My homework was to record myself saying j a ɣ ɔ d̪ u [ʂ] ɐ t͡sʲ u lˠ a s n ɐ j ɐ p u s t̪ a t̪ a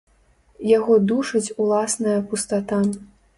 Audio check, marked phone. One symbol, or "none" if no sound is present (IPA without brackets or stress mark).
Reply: ʂ